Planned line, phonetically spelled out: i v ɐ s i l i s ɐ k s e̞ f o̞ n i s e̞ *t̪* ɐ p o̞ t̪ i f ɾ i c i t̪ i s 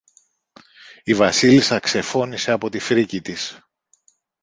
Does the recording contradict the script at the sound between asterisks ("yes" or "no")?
yes